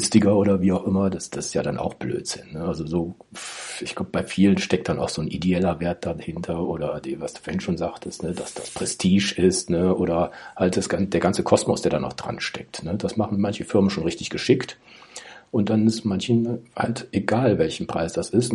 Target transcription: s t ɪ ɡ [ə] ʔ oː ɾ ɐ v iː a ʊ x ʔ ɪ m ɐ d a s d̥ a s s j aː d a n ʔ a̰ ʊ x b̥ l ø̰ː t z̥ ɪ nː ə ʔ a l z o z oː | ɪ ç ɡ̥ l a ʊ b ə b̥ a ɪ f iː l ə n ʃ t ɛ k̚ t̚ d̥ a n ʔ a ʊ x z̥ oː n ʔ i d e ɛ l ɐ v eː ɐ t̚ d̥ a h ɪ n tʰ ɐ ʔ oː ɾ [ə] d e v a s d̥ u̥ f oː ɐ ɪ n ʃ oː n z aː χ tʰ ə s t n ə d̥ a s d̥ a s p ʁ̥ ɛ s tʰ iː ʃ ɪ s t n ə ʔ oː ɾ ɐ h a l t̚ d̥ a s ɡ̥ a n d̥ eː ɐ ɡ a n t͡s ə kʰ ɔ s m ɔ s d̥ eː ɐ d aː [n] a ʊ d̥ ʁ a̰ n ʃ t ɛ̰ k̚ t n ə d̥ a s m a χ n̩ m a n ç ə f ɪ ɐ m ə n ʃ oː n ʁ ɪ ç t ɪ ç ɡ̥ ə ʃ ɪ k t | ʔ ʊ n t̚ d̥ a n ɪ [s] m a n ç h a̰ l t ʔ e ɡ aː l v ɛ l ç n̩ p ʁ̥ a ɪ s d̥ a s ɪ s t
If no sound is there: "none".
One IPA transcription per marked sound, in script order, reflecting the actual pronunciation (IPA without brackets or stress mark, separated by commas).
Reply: ɐ, ɐ, n, s